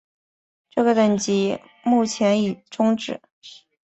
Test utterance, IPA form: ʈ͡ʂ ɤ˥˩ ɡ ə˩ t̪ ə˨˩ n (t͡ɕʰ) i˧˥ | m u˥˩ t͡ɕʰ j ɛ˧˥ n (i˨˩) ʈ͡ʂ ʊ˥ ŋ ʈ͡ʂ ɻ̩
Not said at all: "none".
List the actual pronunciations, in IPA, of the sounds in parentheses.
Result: t͡ɕ, i˨˩

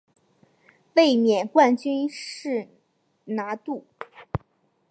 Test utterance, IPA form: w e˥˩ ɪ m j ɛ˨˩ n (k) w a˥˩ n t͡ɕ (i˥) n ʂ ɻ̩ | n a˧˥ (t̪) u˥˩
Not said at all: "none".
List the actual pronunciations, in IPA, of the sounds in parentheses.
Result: k, y˥, t̪

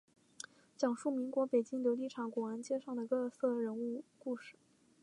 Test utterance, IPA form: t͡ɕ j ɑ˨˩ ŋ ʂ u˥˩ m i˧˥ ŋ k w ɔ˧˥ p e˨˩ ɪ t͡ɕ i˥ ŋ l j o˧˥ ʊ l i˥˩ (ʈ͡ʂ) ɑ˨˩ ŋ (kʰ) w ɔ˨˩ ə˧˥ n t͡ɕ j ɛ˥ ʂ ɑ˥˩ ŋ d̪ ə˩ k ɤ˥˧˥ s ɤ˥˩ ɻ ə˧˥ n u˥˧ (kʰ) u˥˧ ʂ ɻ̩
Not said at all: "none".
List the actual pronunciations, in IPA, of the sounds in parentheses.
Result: ʈ͡ʂʰ, k, k

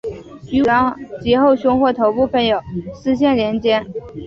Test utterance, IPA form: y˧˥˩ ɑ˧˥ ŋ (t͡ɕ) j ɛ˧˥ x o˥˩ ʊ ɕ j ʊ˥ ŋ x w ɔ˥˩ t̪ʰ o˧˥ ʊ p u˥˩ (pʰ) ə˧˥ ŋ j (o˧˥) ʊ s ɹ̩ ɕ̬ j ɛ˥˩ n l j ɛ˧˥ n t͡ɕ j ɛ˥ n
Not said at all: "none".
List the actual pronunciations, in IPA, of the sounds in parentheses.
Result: t͡ɕ, pʰ, o˨˩

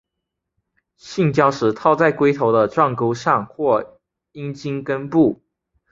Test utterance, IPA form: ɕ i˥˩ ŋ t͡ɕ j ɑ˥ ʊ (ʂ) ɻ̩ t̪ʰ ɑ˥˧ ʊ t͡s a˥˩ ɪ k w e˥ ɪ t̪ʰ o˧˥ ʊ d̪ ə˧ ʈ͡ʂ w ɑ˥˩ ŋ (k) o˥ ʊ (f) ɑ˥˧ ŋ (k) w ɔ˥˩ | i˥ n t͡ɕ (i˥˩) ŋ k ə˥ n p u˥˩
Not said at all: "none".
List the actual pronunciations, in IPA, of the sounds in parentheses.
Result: ʂ, k, ʂ, x, i˥

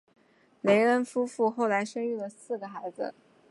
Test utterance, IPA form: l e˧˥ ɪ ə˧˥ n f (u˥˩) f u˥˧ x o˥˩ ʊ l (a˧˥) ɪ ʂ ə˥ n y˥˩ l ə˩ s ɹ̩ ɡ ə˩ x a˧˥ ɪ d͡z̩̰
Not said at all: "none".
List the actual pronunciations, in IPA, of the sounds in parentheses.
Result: u˥, a˧˥

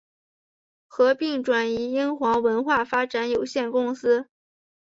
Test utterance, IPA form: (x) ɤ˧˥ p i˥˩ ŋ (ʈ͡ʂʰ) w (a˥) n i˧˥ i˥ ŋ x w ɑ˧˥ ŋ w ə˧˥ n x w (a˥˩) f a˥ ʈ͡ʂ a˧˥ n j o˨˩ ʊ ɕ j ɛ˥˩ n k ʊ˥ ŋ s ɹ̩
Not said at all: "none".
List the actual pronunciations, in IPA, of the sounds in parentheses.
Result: x, ʈ͡ʂ, a˨˩, a˥˩

